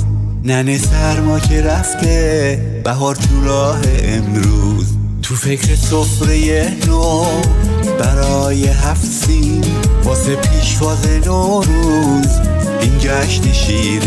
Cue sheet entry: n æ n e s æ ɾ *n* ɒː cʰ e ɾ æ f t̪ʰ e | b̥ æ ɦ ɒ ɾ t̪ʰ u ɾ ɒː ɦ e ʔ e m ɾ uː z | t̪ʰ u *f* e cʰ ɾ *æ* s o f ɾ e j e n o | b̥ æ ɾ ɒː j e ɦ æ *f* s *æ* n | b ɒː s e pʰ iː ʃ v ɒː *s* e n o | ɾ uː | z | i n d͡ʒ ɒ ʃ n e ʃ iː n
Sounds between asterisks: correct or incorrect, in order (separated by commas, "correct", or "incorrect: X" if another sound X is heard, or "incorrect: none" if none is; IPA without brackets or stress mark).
incorrect: m, correct, incorrect: e, correct, incorrect: i, incorrect: z